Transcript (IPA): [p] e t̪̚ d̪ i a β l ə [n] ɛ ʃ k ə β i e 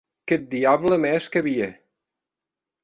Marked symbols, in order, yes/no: no, no

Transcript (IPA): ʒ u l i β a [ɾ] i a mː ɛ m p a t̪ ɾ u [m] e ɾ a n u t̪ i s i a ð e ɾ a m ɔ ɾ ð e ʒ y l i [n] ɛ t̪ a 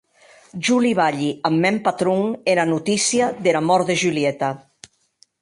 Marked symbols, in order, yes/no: no, no, no

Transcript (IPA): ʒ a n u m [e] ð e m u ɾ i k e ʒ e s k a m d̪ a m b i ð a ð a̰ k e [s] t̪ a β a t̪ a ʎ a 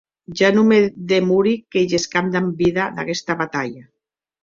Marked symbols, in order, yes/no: yes, yes

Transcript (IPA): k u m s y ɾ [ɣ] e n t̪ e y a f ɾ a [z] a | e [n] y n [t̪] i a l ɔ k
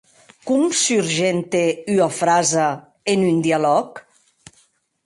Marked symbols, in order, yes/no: no, yes, yes, no

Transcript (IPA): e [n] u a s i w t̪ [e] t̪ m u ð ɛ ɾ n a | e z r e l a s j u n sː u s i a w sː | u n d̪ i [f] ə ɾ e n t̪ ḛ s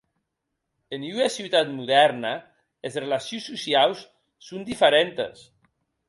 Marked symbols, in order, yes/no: yes, no, yes

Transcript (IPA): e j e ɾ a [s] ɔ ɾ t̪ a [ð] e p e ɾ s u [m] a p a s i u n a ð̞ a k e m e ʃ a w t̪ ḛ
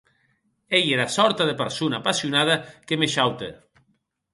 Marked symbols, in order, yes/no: yes, yes, no

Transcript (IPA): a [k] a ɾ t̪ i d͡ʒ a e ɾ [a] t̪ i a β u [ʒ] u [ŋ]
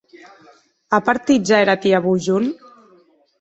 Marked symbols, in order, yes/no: no, yes, yes, no

